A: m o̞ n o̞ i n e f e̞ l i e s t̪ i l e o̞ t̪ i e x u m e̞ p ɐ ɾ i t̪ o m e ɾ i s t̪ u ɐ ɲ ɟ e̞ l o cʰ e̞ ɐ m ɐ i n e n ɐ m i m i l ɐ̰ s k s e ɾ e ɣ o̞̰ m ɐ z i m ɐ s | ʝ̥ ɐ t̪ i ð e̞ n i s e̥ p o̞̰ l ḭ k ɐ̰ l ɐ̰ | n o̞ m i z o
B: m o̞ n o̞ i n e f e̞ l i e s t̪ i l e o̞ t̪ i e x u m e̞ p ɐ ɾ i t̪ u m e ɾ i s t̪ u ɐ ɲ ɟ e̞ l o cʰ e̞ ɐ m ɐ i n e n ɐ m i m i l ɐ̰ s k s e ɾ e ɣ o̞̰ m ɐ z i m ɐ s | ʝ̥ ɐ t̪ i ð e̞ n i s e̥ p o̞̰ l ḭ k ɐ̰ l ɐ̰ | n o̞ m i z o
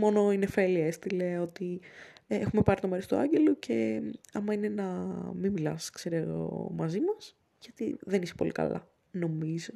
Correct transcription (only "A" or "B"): A